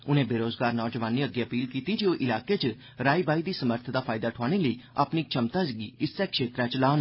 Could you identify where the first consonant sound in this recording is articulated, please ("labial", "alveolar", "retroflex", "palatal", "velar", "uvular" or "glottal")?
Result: alveolar